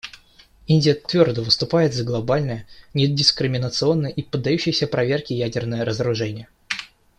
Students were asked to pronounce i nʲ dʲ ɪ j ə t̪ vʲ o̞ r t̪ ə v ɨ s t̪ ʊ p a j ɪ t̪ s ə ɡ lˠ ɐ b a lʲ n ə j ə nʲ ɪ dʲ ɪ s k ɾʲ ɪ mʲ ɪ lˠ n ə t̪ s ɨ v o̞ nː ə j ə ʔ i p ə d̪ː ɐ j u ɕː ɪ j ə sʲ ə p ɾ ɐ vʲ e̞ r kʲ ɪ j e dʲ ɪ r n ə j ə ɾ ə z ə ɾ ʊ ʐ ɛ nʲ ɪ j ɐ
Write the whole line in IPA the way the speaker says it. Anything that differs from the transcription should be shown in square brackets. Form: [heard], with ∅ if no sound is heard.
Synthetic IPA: i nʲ dʲ ɪ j ə t̪ vʲ o̞ r [d̪] ə v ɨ s t̪ ʊ p a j ɪ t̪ [z] ə ɡ lˠ ɐ b a lʲ n ə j ə nʲ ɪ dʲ ɪ s k ɾʲ ɪ mʲ ɪ [∅] n ə t̪ s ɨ [∅] o̞ nː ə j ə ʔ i p ə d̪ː ɐ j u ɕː ɪ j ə sʲ ə p ɾ ɐ vʲ e̞ r kʲ ɪ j [æ] dʲ ɪ r n ə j ə ɾ ə z ə ɾ ʊ ʐ ɛ nʲ ɪ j [ə]